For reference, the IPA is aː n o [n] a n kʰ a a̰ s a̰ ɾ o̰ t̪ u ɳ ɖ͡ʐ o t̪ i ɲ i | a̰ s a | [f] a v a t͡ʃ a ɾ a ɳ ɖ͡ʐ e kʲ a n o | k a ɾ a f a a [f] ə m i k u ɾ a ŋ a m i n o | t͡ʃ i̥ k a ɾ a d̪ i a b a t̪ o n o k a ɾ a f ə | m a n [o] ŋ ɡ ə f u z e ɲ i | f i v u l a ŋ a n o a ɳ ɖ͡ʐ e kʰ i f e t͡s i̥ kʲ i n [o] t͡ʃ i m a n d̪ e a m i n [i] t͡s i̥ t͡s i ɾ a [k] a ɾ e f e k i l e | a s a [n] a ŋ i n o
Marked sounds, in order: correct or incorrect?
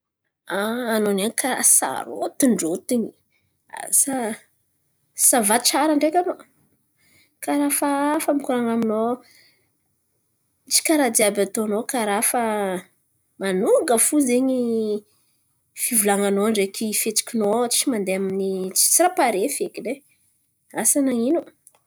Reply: correct, incorrect: s, correct, incorrect: u, correct, correct, incorrect: p, correct

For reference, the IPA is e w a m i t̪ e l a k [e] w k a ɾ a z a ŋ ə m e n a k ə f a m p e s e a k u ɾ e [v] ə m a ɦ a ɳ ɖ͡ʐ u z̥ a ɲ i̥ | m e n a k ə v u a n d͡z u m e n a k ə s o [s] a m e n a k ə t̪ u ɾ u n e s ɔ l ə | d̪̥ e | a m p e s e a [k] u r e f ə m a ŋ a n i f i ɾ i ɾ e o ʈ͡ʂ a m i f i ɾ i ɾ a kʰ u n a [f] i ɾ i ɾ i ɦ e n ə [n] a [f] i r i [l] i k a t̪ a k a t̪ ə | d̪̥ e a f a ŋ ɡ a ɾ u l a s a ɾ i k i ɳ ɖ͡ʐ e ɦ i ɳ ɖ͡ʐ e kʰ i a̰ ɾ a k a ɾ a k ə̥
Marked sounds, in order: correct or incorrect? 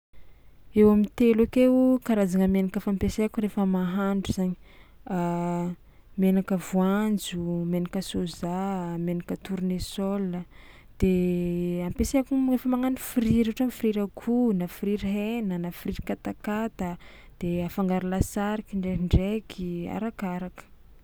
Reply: correct, incorrect: f, incorrect: z, correct, correct, correct, correct, incorrect: ɾ

